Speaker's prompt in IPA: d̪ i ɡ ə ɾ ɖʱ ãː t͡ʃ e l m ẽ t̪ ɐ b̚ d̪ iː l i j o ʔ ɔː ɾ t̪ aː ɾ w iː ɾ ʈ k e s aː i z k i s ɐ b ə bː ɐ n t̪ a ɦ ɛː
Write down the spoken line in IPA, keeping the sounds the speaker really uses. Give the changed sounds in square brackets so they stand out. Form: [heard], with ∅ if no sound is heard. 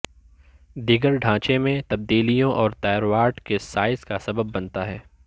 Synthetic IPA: d̪ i ɡ ə ɾ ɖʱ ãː t͡ʃ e [∅] m ẽ t̪ ɐ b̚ d̪ iː l i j [õ] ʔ ɔː ɾ t̪ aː ɾ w [aː] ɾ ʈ k e s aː [ɪ] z k [a] s ɐ b ə bː ɐ n t̪ a ɦ ɛː